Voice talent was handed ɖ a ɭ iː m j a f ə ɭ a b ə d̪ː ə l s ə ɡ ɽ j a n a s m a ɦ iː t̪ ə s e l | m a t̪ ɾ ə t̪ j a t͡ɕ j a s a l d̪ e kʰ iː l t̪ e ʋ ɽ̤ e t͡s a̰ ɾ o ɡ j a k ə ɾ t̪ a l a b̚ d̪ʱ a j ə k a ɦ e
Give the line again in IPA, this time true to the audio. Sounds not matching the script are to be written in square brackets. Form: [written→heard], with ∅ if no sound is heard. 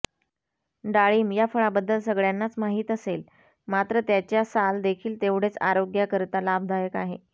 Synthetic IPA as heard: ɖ a ɭ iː m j a f ə ɭ a b ə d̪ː ə l s ə ɡ [ɽ→ɭ] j a [n→nː] a [s→t͡s] m a ɦ iː t̪ ə s e l | m a t̪ ɾ ə t̪ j a t͡ɕ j a s a l d̪ e kʰ iː l t̪ e ʋ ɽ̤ e t͡s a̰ ɾ o ɡ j a k ə ɾ t̪ a l a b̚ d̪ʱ a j ə k a ɦ e